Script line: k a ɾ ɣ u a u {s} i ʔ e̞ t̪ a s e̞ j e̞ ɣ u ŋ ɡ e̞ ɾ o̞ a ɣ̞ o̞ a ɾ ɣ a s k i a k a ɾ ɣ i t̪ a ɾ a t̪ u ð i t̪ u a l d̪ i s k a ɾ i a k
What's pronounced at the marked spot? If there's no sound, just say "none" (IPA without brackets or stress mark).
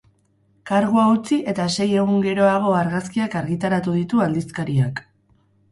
t͡s